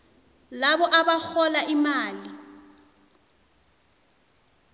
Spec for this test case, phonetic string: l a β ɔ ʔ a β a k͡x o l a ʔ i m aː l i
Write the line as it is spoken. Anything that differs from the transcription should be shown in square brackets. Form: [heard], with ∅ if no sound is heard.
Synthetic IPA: l a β ɔ ʔ a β a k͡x [ɔ] l a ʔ i m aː l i